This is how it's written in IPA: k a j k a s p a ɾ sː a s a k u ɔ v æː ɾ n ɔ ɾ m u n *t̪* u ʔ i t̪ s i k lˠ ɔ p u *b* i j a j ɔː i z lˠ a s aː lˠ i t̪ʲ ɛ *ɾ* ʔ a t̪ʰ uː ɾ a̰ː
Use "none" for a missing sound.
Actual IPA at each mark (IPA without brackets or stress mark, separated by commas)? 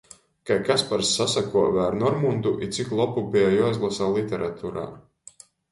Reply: d̪, b, ɾ